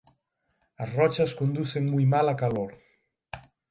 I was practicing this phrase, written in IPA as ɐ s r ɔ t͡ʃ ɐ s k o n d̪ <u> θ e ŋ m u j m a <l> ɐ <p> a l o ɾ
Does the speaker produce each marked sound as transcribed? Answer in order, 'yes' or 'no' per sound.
yes, yes, no

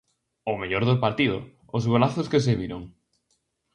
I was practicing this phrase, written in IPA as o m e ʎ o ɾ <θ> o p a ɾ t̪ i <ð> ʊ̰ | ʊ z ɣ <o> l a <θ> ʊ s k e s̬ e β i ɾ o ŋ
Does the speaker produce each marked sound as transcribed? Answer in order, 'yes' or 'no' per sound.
no, yes, yes, yes

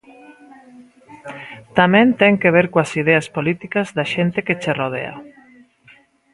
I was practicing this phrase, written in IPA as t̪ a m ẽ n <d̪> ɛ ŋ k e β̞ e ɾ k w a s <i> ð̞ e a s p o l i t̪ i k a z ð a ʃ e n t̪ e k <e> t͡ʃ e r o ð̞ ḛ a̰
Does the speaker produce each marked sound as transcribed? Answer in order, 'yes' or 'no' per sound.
no, yes, yes

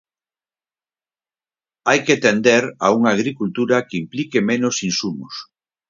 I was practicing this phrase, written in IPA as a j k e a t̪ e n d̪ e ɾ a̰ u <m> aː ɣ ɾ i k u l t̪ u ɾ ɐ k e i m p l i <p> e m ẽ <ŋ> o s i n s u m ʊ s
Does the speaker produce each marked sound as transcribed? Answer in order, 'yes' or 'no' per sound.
no, no, no

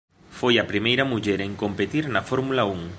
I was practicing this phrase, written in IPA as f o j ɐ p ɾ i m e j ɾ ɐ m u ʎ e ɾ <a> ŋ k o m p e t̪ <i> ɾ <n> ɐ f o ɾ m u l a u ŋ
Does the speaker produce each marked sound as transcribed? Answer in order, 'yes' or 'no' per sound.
no, yes, yes

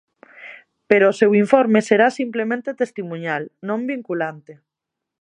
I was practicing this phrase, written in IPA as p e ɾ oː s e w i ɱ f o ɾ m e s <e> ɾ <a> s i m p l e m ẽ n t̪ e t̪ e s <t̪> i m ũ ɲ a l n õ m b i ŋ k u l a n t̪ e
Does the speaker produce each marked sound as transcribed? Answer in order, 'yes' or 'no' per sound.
yes, yes, yes

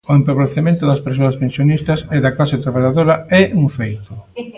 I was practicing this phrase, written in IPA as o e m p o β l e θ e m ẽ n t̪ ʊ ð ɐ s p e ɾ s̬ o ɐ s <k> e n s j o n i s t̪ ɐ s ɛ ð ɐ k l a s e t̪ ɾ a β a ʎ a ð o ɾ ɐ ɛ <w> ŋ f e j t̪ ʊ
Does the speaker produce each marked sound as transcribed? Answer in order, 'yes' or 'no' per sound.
no, no

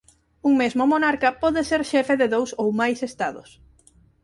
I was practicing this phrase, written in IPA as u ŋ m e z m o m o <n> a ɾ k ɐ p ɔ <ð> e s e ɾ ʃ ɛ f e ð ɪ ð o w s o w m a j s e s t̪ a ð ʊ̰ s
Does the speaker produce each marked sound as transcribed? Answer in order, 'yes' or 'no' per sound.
yes, yes

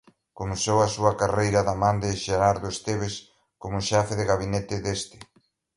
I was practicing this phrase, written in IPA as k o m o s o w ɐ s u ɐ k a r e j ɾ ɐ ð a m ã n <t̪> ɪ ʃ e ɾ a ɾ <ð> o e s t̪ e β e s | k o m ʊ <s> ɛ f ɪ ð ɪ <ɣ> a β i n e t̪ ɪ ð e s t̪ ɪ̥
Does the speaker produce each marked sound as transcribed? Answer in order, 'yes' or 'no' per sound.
no, yes, no, yes

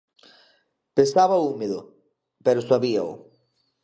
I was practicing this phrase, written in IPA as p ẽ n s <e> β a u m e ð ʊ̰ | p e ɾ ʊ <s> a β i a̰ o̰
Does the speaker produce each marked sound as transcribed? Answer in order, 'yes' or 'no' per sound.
no, yes

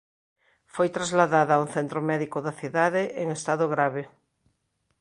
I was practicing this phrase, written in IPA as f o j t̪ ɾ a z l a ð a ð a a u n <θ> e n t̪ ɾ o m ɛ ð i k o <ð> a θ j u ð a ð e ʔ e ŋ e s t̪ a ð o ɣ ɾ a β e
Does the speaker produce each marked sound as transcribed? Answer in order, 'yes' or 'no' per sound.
yes, yes

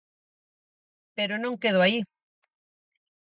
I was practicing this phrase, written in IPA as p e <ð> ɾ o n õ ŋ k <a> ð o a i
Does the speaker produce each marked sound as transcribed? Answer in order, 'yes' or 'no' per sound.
no, no

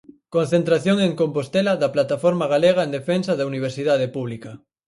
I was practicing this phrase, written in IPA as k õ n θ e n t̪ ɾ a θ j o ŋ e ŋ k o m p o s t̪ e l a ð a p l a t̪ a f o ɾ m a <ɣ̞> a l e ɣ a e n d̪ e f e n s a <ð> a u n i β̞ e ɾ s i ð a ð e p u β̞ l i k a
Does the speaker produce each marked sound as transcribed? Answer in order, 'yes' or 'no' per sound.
yes, yes

